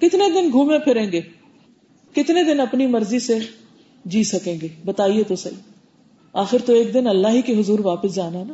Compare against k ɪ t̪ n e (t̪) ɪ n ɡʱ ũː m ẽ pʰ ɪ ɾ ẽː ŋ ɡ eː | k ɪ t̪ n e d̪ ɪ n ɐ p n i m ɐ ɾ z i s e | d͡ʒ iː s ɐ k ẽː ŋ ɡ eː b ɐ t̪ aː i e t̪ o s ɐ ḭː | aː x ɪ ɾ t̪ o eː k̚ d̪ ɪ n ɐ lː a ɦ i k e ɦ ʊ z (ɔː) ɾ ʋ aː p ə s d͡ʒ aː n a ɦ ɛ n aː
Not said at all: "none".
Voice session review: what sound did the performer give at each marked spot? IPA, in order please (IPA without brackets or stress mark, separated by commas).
d̪, uː